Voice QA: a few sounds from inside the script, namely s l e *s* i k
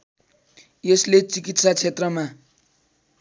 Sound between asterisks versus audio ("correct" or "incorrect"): incorrect